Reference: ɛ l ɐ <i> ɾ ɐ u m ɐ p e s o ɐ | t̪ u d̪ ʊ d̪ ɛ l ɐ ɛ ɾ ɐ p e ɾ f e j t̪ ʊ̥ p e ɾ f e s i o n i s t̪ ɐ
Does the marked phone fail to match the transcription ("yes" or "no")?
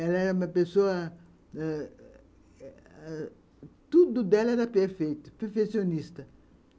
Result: yes